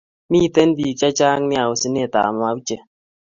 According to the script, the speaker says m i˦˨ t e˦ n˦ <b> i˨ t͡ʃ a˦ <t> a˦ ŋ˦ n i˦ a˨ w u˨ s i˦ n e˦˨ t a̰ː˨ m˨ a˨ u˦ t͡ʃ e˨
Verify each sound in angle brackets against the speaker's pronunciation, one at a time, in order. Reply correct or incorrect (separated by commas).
correct, incorrect